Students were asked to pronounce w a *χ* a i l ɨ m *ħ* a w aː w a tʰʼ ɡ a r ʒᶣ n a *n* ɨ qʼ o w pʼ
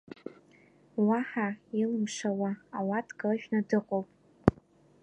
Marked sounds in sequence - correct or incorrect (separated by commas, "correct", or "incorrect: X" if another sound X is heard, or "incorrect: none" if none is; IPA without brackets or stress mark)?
incorrect: ħ, incorrect: ʂ, incorrect: d